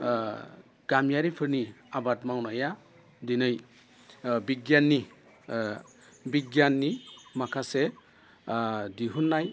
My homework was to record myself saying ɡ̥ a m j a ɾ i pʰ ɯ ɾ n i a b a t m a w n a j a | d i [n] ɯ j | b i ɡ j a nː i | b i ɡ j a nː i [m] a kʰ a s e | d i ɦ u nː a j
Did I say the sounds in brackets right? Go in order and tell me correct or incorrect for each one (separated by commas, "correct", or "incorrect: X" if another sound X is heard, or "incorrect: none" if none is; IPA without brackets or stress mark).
correct, correct